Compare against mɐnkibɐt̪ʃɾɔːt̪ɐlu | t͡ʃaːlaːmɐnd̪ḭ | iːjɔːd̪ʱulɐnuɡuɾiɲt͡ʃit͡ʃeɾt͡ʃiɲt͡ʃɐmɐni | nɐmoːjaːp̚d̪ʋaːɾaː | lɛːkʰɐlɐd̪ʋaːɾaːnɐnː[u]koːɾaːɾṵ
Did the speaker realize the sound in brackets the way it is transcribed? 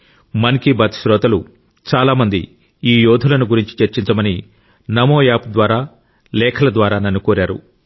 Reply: yes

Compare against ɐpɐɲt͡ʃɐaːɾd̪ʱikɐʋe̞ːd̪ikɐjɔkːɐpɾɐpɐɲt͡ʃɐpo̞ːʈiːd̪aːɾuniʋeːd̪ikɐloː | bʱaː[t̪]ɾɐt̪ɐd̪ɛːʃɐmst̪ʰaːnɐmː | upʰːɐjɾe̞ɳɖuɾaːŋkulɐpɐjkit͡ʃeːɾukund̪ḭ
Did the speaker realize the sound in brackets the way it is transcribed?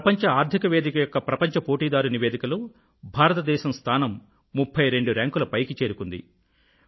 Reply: no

